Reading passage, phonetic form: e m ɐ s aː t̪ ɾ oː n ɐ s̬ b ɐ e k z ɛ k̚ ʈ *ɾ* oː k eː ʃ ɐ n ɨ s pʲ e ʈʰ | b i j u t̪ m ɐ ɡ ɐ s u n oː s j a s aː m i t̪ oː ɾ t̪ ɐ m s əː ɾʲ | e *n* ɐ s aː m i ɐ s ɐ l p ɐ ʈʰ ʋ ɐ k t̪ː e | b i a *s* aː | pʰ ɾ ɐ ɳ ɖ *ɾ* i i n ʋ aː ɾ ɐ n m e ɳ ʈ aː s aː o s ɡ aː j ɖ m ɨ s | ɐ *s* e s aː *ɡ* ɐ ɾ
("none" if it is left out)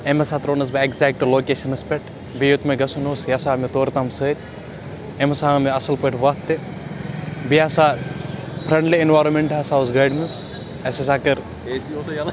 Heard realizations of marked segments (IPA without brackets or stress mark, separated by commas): l, m, s, l, s, k